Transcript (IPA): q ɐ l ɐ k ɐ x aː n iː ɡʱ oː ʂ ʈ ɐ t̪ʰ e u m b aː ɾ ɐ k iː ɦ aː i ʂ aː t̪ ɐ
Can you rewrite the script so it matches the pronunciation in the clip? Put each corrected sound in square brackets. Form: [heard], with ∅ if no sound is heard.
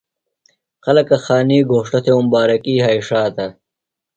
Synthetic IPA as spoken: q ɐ l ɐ k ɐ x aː n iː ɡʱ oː ʂ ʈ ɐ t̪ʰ e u m b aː ɾ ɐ k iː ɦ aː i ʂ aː t̪ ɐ